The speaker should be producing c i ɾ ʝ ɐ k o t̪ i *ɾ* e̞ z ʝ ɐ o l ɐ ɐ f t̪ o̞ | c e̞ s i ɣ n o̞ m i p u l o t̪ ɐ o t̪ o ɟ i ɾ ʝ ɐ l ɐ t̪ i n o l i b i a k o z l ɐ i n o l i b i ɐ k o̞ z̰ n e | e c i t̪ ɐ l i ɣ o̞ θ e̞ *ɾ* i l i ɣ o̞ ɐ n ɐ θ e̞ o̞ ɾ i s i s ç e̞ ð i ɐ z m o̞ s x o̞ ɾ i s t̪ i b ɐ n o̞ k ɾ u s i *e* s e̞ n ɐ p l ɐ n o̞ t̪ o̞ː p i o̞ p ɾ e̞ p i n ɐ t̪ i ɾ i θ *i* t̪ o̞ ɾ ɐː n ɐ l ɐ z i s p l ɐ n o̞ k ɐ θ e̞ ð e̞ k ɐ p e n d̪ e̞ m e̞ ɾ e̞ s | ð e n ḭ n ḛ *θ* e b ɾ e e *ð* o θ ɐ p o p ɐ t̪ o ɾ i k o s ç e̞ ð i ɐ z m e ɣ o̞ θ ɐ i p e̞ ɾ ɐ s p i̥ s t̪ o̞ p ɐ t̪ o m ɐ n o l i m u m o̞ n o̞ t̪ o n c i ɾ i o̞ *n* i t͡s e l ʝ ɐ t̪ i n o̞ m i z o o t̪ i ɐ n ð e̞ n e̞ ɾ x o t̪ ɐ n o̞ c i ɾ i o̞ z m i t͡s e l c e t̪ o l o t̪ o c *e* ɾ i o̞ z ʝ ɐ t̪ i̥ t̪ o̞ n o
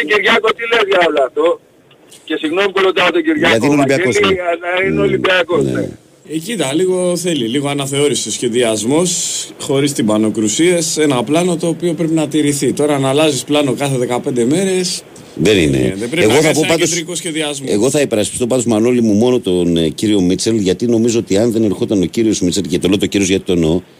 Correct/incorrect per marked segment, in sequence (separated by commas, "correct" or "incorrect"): incorrect, incorrect, correct, correct, incorrect, incorrect, incorrect, incorrect